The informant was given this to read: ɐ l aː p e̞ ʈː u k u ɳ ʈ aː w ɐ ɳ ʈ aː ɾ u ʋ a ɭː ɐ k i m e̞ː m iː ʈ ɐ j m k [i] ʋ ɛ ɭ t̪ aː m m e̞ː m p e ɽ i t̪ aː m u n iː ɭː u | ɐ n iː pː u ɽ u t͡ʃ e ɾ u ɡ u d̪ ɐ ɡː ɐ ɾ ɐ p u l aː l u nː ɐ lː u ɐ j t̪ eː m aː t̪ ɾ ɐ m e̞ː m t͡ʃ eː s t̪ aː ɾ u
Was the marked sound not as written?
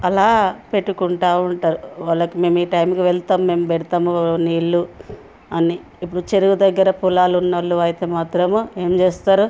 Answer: no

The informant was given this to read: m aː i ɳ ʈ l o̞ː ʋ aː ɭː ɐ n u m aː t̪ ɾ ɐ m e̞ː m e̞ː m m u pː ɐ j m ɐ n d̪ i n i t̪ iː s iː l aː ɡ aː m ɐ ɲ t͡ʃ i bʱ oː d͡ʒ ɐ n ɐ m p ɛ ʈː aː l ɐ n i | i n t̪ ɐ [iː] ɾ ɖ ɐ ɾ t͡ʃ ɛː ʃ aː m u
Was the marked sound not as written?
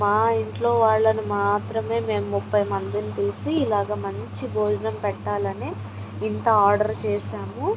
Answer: yes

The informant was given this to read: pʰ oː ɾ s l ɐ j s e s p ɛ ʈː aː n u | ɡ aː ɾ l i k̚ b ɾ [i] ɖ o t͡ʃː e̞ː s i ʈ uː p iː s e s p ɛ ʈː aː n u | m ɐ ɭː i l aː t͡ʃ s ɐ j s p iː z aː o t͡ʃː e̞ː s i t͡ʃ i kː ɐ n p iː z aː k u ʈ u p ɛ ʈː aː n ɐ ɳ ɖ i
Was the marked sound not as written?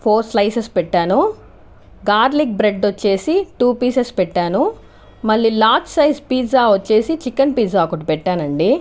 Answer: yes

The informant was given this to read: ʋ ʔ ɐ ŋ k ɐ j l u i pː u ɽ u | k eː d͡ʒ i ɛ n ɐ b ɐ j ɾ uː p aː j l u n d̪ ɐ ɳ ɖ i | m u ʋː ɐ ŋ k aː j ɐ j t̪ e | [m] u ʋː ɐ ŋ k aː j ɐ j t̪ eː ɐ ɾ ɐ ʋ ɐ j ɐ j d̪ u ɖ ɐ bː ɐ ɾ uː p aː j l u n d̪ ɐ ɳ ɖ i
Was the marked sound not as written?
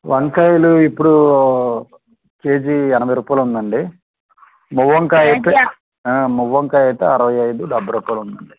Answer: no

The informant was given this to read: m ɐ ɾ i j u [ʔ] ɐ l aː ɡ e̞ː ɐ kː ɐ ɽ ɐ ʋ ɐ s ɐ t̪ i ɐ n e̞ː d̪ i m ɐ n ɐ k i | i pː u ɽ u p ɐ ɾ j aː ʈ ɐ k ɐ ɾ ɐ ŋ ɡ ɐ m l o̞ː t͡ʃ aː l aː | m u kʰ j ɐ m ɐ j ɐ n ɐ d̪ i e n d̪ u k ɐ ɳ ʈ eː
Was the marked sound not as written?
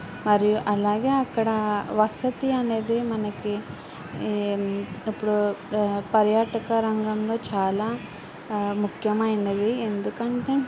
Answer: no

